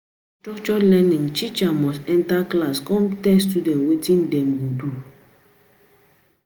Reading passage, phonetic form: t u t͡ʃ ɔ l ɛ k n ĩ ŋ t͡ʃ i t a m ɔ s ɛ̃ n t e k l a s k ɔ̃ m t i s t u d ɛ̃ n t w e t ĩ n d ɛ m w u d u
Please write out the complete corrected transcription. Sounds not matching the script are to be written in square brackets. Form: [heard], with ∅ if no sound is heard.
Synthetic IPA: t [ɔ] t͡ʃ ɔ l ɛ [∅] n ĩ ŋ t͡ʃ i [t͡ʃ] a m ɔ s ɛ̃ n t [a] k l a s k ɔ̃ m t [ɛ] s t u d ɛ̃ n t w e t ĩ n d ɛ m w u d u